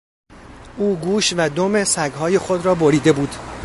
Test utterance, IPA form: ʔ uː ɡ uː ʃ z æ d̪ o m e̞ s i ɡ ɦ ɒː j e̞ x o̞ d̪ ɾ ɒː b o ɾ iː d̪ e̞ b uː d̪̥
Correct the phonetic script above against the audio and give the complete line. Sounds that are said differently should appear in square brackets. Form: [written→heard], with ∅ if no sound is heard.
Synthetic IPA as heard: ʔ uː ɡ uː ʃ [z→v] æ d̪ o m e̞ s [i→æ] ɡ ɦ ɒː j e̞ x o̞ d̪ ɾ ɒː b o ɾ iː d̪ e̞ b uː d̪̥